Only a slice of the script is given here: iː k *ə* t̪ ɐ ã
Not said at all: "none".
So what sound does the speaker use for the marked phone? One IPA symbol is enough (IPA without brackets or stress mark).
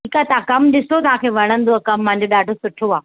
a